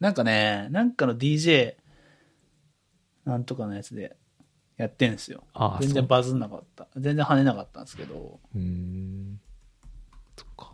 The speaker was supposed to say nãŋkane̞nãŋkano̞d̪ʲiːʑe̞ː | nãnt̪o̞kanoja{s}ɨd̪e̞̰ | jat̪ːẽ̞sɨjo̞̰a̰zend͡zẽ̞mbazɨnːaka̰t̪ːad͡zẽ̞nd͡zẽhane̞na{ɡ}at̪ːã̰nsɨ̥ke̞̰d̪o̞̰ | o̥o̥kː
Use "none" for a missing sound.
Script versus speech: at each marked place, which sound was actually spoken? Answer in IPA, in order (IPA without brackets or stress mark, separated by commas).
t͡s, k